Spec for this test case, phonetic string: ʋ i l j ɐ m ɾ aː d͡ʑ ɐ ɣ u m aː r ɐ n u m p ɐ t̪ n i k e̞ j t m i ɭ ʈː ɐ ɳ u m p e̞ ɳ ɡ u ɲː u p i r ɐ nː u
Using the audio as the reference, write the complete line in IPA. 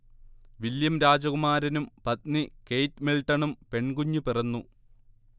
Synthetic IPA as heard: ʋ i l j ɐ m ɾ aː d͡ʑ ɐ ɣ u m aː ɾ ɐ n u m p ɐ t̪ n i k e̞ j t m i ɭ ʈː ɐ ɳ u m p e̞ ɳ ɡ u ɲː u p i r ɐ nː u

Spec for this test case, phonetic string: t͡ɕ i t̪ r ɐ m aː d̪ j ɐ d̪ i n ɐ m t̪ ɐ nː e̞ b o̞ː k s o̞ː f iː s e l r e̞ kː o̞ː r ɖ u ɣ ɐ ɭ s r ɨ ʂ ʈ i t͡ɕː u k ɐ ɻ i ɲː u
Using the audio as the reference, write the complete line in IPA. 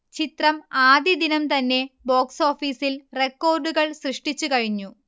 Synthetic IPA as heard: t͡ɕ i t̪ r ɐ m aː d̪ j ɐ d̪ i n ɐ m t̪ ɐ nː e̞ b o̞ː k s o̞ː f iː s i l r e̞ kː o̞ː r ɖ u ɣ ɐ ɭ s r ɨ ʂ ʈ i t͡ɕː u k ɐ ɻ i ɲː u

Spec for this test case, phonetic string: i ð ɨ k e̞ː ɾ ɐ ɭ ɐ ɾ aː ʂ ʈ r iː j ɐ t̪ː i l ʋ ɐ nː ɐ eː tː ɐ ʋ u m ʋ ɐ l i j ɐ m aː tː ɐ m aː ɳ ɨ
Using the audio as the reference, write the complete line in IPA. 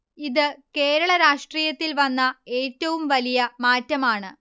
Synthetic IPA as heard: i ð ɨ k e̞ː ɾ ɐ ɭ ɐ ɾ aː ʂ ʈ r iː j ɐ t̪ː i l ʋ ɐ nː ɐ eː tː ɐ ʋ u m ʋ ɐ l i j ɐ m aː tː ɐ m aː ɳ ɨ

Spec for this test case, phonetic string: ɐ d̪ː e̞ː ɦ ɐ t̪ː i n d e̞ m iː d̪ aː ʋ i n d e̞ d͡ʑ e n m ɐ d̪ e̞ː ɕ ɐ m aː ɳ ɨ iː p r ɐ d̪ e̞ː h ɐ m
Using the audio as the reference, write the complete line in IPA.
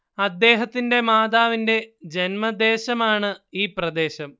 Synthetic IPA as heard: ɐ d̪ː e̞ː ɦ ɐ t̪ː i n d e̞ m aː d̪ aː ʋ i n d e̞ d͡ʑ e n m ɐ d̪ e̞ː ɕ ɐ m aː ɳ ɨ iː p r ɐ d̪ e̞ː ɕ ɐ m

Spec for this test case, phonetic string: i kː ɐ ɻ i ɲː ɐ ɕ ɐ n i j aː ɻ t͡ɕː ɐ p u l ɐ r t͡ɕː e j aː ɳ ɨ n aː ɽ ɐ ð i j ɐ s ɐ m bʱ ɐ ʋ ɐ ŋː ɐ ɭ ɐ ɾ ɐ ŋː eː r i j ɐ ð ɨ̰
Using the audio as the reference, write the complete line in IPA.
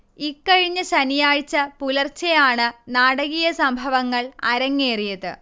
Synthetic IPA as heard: i kː ɐ ɻ i ɲː ɐ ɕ ɐ n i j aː ɻ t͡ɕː ɐ p u l ɐ r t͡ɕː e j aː ɳ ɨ n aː ɽ ɐ ɣ i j ɐ s ɐ m bʱ ɐ ʋ ɐ ŋː ɐ ɭ ɐ ɾ ɐ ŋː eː r i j ɐ ð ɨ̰

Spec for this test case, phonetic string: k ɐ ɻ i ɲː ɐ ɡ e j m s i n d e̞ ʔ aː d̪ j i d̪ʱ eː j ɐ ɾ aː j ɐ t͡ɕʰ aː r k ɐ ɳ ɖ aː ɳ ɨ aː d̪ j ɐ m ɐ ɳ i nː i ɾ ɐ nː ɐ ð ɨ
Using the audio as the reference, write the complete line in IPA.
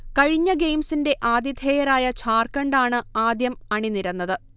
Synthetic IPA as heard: k ɐ ɻ i ɲː ɐ ɡ e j m s i n d e̞ ʔ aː d̪ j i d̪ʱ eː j ɐ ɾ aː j ɐ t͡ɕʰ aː r k ɐ ɳ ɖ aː ɳ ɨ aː d̪ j ɐ m ɐ ɳ i n i ɾ ɐ nː ɐ ð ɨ

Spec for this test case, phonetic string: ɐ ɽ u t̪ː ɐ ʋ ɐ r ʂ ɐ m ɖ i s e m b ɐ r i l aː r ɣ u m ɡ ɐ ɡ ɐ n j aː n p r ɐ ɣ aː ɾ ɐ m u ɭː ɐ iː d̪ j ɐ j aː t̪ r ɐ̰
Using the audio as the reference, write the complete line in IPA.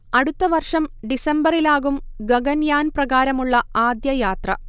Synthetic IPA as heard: ɐ ɽ u t̪ː ɐ ʋ ɐ r ʂ ɐ m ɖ i s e m b ɐ r i l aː ɣ u m ɡ ɐ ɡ ɐ n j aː n p r ɐ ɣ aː ɾ ɐ m u ɭː ɐ aː d̪ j ɐ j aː t̪ r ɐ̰

